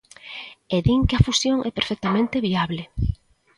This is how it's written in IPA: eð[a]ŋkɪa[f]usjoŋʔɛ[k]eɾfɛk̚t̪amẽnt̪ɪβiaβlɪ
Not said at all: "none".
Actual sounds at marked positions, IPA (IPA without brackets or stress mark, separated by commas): i, f, p